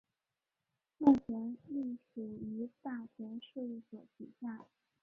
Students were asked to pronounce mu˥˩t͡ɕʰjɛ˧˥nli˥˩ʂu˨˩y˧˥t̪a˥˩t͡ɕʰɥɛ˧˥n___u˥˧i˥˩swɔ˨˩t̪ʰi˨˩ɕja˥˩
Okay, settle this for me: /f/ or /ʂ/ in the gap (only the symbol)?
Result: ʂ